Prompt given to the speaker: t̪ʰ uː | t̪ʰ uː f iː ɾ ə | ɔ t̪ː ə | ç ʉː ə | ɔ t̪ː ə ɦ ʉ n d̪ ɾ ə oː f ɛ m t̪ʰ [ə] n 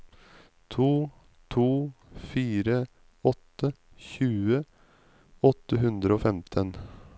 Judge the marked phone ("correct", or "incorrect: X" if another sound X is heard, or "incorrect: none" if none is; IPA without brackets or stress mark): correct